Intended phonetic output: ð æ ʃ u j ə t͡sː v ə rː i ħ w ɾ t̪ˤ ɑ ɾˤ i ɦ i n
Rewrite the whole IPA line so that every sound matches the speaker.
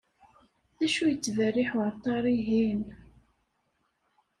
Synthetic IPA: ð æ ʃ u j ə t͡sː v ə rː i ħ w ɾ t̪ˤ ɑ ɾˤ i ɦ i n